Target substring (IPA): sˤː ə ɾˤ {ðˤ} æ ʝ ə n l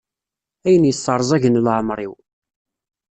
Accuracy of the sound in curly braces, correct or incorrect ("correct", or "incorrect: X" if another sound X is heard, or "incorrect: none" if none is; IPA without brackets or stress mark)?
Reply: incorrect: zˤ